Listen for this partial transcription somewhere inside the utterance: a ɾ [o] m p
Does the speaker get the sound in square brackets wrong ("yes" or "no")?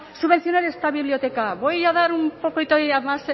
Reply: yes